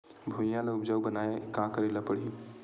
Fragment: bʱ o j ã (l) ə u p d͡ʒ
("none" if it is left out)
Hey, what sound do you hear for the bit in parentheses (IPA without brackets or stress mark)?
l